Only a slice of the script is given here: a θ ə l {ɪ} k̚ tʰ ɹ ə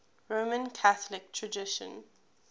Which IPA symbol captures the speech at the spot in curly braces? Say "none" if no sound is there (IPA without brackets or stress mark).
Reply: ɪ